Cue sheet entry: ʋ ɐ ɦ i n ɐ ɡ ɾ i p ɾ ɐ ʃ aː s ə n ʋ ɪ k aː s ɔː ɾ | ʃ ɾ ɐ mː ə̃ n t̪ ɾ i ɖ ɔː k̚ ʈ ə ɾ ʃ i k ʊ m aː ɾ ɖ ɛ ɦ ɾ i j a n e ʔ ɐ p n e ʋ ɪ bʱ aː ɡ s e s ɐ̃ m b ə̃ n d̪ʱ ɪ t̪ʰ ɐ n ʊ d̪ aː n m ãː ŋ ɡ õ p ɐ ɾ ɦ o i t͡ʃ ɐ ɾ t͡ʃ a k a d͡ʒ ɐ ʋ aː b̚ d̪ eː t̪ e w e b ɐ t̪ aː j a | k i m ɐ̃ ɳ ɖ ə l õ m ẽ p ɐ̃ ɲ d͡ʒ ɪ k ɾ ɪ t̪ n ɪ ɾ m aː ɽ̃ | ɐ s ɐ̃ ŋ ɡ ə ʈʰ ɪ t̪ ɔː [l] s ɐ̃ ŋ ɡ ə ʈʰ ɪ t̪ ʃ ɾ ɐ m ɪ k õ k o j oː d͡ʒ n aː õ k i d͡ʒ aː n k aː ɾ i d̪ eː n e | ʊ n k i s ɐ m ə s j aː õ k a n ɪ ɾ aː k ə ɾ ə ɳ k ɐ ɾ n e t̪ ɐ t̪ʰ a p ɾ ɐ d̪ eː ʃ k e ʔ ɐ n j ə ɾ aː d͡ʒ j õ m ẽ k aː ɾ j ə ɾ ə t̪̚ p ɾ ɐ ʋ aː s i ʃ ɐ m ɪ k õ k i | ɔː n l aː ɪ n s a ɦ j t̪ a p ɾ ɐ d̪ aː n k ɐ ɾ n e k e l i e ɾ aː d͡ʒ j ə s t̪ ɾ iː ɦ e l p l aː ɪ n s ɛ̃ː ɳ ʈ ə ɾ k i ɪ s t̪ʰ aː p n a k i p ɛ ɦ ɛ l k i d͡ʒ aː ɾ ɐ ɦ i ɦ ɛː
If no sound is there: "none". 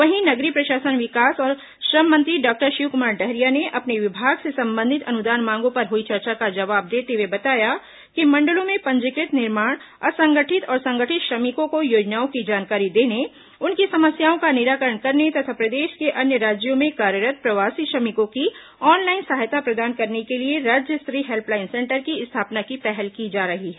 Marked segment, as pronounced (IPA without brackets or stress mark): ɾ